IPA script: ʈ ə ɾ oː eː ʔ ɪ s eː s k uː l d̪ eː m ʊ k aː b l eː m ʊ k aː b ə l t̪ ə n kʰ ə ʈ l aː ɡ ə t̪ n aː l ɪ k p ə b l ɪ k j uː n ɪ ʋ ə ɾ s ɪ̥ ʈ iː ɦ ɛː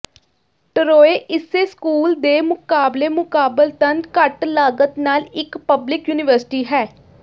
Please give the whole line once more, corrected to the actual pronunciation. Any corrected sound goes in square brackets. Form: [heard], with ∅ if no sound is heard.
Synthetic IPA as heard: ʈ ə ɾ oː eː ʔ ɪ s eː s k uː l d̪ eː m ʊ k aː b l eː m ʊ k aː b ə l t̪ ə n [k] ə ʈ l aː ɡ ə t̪ n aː l ɪ k p ə b l ɪ k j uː n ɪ ʋ ə ɾ s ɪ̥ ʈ iː ɦ ɛː